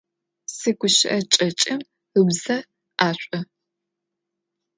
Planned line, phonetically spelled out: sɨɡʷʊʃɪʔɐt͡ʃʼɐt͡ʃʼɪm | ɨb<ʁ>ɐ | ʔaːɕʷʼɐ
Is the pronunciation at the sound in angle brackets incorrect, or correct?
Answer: incorrect